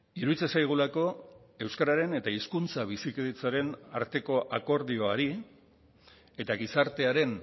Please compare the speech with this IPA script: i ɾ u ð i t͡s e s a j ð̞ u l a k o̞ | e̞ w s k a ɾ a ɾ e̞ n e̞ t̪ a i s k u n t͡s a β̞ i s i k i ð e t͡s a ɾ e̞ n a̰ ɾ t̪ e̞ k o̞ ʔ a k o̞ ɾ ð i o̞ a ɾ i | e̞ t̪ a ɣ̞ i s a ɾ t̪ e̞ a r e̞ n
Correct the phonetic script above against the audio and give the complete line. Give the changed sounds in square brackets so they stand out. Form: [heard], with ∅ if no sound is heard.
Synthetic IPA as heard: i ɾ u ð i t͡s e s a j [ɣ̞] u l a k o̞ | e̞ w s k a ɾ a ɾ e̞ n e̞ t̪ a i s k u n t͡s a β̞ i s i k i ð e t͡s a ɾ e̞ n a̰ ɾ t̪ e̞ k o̞ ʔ a k o̞ ɾ ð i o̞ a ɾ i | e̞ t̪ a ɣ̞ i s a ɾ t̪ e̞ a [ɾ] e̞ n